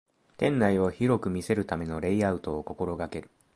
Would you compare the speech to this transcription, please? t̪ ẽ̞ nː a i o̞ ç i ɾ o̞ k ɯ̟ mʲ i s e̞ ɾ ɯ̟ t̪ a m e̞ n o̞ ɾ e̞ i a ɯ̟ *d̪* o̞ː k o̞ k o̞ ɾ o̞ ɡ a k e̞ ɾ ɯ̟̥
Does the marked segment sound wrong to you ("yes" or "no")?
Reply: yes